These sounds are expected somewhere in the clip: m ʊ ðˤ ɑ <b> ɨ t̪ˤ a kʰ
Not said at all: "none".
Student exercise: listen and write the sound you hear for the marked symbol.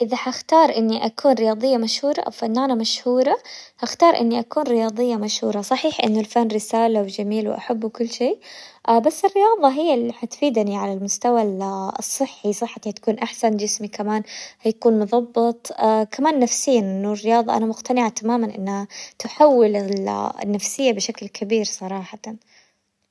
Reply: bː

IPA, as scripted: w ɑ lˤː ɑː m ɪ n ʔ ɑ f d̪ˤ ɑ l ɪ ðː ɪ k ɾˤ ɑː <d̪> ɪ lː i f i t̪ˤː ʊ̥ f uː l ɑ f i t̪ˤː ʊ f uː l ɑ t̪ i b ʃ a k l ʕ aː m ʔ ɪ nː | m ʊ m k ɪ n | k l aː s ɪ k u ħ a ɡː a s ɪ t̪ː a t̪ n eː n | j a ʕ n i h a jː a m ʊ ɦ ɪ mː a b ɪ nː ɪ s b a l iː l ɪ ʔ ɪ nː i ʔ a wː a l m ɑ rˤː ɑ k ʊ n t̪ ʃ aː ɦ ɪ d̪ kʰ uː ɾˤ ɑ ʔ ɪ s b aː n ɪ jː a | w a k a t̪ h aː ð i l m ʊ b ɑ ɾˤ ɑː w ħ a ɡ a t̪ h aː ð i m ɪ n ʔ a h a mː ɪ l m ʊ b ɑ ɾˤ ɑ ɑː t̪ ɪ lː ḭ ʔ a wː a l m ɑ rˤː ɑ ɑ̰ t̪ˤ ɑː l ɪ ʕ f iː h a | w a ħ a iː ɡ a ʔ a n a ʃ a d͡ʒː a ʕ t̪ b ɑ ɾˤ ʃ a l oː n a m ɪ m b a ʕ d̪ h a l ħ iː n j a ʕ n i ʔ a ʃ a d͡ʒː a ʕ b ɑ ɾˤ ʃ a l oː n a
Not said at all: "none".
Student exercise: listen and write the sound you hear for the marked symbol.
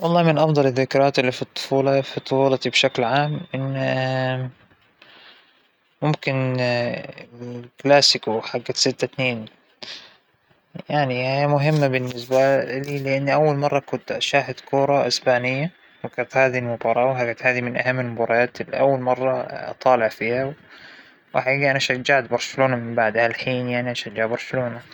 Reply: t̪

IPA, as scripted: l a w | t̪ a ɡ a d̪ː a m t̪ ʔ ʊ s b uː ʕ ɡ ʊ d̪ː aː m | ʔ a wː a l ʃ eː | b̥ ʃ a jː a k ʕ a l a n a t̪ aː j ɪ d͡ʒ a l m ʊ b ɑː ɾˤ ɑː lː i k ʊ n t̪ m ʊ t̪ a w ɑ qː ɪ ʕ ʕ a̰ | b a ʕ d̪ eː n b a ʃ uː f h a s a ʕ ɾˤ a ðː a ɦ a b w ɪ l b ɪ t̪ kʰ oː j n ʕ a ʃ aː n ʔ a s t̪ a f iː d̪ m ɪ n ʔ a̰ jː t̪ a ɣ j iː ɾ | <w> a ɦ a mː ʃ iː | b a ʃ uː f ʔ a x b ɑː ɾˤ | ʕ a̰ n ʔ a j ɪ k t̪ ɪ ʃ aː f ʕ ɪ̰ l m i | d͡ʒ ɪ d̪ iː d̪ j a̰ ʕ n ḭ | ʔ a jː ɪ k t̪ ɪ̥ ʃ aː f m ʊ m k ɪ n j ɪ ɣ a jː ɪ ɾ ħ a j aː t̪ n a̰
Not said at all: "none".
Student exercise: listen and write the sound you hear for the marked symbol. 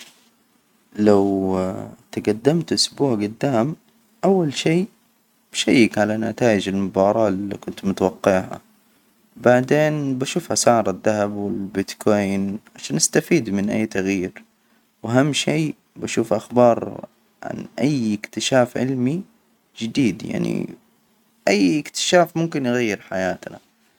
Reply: w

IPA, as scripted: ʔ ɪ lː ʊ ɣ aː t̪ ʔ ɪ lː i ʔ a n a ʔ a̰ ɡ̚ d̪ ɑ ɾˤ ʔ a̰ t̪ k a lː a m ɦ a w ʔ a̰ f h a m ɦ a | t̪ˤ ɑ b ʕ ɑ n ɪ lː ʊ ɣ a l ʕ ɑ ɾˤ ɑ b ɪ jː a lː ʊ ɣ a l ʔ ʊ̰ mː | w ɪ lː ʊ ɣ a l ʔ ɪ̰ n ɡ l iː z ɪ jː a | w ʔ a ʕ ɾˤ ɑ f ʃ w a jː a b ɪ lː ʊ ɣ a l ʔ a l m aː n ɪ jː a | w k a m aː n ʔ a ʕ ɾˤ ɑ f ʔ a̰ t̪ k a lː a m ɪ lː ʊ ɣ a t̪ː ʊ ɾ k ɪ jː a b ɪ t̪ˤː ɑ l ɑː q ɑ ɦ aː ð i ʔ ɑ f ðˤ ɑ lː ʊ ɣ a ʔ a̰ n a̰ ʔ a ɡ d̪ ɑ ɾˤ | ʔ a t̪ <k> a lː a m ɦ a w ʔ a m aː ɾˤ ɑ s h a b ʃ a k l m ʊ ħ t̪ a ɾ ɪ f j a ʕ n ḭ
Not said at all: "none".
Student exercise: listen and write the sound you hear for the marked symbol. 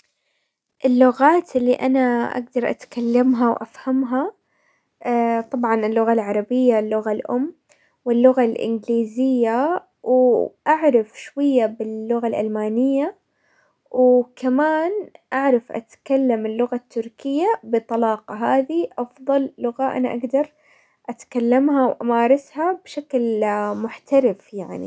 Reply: k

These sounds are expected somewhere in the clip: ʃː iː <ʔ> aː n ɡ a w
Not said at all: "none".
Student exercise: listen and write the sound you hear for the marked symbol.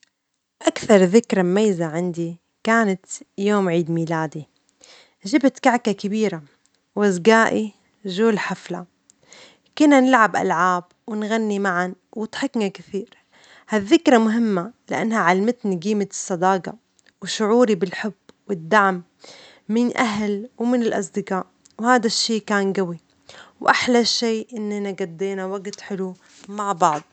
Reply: k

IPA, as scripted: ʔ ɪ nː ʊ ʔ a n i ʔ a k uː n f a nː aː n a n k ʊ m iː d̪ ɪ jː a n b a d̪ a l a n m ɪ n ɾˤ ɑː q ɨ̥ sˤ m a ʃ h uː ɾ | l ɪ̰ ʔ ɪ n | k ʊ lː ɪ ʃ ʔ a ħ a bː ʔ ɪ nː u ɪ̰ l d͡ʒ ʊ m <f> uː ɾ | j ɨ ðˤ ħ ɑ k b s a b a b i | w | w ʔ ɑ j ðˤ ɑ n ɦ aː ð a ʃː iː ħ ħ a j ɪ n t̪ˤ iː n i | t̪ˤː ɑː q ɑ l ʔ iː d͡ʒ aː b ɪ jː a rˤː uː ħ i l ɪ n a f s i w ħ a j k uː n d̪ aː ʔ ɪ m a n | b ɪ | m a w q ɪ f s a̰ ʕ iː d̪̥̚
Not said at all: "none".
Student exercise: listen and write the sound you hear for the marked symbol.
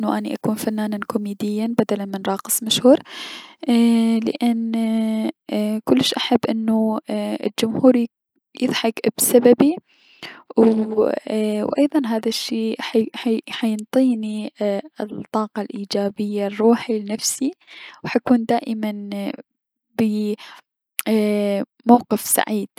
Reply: h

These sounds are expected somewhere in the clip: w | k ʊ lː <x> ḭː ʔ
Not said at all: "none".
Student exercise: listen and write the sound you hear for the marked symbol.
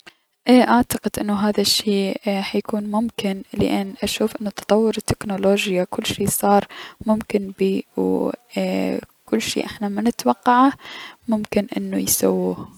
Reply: ʃ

